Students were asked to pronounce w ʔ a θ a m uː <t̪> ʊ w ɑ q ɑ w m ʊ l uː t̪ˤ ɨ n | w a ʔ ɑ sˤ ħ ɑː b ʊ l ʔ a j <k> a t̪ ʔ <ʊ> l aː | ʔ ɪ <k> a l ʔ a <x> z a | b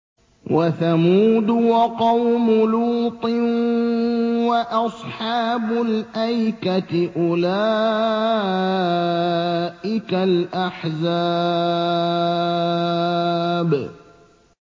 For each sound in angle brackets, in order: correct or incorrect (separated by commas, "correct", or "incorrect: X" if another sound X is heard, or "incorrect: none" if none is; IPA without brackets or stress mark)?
incorrect: d̪, correct, correct, correct, incorrect: ħ